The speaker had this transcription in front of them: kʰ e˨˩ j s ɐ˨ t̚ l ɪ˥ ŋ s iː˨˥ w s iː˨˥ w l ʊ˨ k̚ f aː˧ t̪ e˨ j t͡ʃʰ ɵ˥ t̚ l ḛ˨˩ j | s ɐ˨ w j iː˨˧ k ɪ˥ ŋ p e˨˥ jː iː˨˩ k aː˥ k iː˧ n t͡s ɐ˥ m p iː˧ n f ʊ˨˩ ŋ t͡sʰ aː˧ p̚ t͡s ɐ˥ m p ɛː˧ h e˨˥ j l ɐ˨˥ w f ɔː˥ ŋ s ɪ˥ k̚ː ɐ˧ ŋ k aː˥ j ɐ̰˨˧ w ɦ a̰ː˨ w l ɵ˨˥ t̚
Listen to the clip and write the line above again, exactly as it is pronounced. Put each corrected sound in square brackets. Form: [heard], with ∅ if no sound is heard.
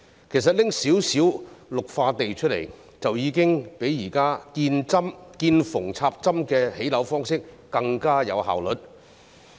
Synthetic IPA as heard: kʰ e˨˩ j s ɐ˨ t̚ l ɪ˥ ŋ s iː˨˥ w s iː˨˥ w l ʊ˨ k̚ f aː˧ t̪ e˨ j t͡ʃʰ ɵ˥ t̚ l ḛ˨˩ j | [t͡s] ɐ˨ w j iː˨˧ k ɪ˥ ŋ p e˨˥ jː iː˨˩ k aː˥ k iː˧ n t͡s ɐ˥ m [k] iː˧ n f ʊ˨˩ ŋ t͡sʰ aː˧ p̚ t͡s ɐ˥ m [k] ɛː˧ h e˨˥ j l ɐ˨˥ w f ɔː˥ ŋ s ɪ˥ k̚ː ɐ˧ ŋ k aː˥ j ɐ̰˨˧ w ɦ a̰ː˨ w l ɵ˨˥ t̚